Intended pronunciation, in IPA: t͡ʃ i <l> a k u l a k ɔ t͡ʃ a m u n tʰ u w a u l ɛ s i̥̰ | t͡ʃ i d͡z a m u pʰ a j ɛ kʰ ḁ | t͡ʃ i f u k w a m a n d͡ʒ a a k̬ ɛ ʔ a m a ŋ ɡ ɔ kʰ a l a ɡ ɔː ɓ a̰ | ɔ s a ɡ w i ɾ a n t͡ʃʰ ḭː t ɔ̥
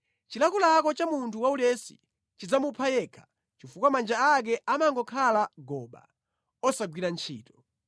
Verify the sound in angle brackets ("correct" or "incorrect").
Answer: correct